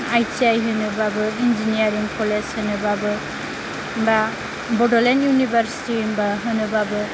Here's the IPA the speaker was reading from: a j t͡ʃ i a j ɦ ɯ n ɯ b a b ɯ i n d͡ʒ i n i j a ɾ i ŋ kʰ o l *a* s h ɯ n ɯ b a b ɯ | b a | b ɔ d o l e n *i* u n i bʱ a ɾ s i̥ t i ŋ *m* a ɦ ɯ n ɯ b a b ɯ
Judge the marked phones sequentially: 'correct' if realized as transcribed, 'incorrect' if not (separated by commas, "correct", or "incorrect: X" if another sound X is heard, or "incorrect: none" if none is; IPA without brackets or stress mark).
incorrect: e, incorrect: j, incorrect: b